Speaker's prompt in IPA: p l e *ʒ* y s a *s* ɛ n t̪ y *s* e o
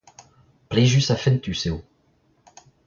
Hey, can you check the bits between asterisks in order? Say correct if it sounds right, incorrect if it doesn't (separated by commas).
correct, incorrect, correct